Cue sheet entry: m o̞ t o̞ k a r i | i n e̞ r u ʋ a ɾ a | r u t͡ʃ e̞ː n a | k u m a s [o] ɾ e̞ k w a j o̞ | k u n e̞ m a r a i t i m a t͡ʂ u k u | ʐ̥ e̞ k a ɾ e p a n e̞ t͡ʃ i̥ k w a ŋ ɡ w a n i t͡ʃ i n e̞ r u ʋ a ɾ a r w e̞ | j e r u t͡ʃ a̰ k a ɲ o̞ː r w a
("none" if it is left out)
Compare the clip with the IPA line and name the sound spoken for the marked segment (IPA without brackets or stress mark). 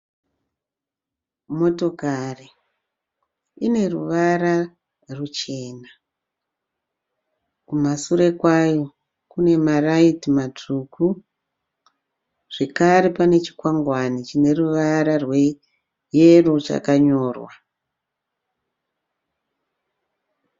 u